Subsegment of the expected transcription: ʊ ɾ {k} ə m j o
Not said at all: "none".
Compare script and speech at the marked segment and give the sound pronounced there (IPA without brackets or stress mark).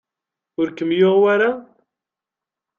k